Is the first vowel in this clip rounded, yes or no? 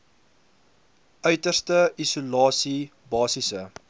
yes